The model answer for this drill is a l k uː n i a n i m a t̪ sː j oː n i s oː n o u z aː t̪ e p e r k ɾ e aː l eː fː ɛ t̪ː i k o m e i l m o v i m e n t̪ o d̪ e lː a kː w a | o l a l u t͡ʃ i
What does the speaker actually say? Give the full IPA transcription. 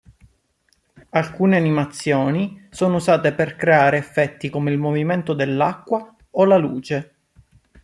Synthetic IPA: a l k uː n e a n i m a t̪ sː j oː n i s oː n o u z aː t̪ e p e r k ɾ e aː ɾ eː fː ɛ t̪ː i k o m e i l m o v i m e n t̪ o d̪ e lː a kː w a | o l a l uː t͡ʃ e

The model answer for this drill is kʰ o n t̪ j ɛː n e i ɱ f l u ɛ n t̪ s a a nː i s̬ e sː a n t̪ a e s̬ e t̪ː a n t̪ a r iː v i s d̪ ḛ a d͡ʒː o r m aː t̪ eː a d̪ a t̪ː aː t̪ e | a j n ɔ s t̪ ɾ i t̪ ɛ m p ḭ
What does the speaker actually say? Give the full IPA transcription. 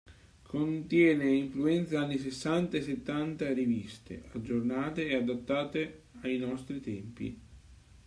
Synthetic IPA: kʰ o n t̪ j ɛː n e i ɱ f l u ɛ n t̪ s a a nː i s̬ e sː a n t̪ a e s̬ e t̪ː a n t̪ a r i v i s t̪ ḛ a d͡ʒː o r n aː t̪ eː a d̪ a t̪ː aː t̪ e | a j n ɔ s t̪ ɾ i t̪ ɛ m p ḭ

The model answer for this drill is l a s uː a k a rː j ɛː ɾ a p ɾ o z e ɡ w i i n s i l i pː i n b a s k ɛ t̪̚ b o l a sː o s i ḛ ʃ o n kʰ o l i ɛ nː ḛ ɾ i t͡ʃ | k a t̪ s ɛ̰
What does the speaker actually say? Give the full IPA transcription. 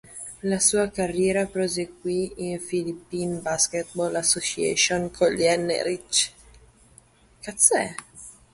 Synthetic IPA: l a s uː a k a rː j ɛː ɾ a p ɾ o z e ɡ w i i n f i l i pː i n b a s k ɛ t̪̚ b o l a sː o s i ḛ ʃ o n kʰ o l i ɛ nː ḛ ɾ i t͡ʃ | k a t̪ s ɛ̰

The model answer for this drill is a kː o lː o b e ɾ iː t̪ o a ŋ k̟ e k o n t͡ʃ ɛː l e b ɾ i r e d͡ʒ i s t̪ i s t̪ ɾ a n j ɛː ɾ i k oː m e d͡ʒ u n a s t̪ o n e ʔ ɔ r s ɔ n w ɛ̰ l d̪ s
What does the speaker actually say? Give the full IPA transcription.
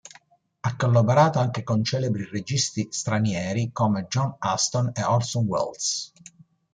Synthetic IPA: a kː o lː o b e ɾ aː t̪ o a ŋ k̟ e k o n t͡ʃ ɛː l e b ɾ i r e d͡ʒ i s t̪ i s t̪ ɾ a n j ɛː ɾ i k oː m e d͡ʒ ɔ n a s t̪ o n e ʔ ɔ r s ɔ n w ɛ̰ l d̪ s

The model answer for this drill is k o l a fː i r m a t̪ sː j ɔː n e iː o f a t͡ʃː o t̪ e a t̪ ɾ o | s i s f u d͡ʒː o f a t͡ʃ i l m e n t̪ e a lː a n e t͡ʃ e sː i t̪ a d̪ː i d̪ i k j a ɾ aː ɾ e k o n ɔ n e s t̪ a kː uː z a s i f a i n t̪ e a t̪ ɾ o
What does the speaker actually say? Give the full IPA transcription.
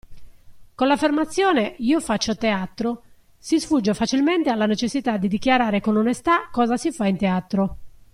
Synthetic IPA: k o l a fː e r m a t̪ sː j ɔː n e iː o f a t͡ʃː o t̪ e a t̪ ɾ o | s i s f u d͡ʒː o f a t͡ʃ i l m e n t̪ e a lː a n e t͡ʃ e sː i t̪ a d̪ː i d̪ i k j a ɾ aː ɾ e k o n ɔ n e s t̪ a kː ɔː z a s i f a i n t̪ e a t̪ ɾ o

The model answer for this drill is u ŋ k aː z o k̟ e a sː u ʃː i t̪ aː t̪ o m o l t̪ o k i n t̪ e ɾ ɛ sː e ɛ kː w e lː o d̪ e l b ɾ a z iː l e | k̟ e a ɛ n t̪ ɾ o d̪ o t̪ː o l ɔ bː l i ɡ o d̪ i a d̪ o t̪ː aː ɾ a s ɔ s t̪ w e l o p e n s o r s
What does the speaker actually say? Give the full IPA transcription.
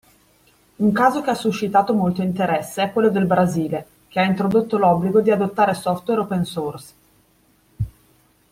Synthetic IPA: u ŋ k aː z o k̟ e a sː u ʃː i t̪ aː t̪ o m o l t̪ o i n t̪ e ɾ ɛ sː e ɛ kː w e lː o d̪ e l b ɾ a z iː l e | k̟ e a i n t̪ ɾ o d̪ o t̪ː o l ɔ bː l i ɡ o d̪ i a d̪ o t̪ː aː ɾ e s ɔ f t̪ w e ɾ o p e n s o r s

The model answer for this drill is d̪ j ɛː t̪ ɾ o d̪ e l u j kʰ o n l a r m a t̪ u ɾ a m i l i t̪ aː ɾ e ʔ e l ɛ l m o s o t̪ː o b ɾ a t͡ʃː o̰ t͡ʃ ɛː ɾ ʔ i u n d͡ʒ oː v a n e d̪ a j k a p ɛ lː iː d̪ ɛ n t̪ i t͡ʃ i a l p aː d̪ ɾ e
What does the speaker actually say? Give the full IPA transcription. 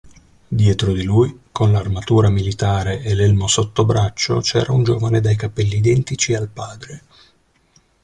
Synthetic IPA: d̪ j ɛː t̪ ɾ o d̪ i l u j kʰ o n l a r m a t̪ uː ɾ a m i l i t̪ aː ɾ e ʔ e l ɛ l m o s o t̪ː o b ɾ a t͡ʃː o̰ t͡ʃ ɛː ɾ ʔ a u n d͡ʒ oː v a n e d̪ a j k a p ɛ lː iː d̪ ɛ n t̪ i t͡ʃ i a l p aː d̪ ɾ e

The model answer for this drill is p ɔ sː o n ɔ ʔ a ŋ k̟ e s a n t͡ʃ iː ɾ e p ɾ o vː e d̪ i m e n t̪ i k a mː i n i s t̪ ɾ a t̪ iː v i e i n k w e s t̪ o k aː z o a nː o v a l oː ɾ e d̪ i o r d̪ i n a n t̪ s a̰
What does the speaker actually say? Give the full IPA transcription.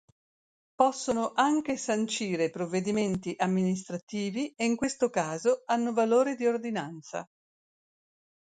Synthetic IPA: p ɔ sː o n o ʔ a ŋ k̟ e s a n t͡ʃ iː ɾ e p ɾ o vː e d̪ i m e n t̪ i ʔ a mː i n i s t̪ ɾ a t̪ iː v i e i ŋ k w e s t̪ o k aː z o a nː o v a l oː ɾ e d̪ i o r d̪ i n a n t̪ s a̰

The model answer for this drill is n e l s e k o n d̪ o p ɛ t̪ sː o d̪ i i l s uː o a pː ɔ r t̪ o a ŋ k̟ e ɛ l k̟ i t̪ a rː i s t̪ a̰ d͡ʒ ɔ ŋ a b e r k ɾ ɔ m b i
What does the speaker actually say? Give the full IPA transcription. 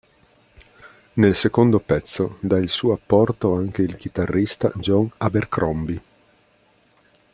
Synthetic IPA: n e l s e k o n d̪ o p ɛ t̪ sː o d̪ a i l s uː o a pː ɔ r t̪ o a ŋ k̟ e i l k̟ i t̪ a rː i s t̪ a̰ d͡ʒ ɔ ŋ a b e r k ɾ ɔ m b i

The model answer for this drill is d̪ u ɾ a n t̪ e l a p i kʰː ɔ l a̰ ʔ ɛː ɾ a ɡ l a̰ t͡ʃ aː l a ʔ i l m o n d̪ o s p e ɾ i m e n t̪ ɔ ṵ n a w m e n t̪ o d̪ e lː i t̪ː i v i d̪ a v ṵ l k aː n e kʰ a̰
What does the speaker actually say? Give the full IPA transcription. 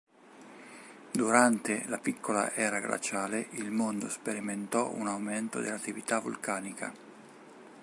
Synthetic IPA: d̪ u ɾ a n t̪ e l a p i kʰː o l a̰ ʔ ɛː ɾ a ɡ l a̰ t͡ʃ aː l e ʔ i l m o n d̪ o s p e ɾ i m e n t̪ ɔ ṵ n a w m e n t̪ o d̪ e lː a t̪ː i v i t̪ a v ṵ l k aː n i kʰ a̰

